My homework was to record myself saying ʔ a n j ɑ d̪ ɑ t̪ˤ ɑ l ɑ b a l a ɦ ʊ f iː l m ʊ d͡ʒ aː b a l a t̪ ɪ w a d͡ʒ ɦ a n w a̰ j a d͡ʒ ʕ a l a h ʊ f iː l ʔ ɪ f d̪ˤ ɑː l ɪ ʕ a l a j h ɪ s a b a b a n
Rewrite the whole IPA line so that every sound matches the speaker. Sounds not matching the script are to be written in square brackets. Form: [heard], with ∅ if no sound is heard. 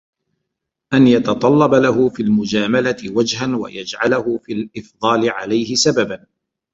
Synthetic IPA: ʔ a n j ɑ [t̪] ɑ t̪ˤ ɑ [lː] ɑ b a l a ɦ ʊ f iː l m ʊ d͡ʒ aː [m] a l a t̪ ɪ w a d͡ʒ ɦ a n w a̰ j a d͡ʒ ʕ a l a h ʊ f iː l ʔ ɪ f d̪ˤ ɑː l ɪ ʕ a l a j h ɪ s a b a b a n